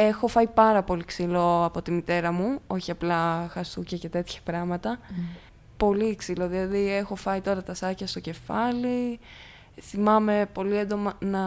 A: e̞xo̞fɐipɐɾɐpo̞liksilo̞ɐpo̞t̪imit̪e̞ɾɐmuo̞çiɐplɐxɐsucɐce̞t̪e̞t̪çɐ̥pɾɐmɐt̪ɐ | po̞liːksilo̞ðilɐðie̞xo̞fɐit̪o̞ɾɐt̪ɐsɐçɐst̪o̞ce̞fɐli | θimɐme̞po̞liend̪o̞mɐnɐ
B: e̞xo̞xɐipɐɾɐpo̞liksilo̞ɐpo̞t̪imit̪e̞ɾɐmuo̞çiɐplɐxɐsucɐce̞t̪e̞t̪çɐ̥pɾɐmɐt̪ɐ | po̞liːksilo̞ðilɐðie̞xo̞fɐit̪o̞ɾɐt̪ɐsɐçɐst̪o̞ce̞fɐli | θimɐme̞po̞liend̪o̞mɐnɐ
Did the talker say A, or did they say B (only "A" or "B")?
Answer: A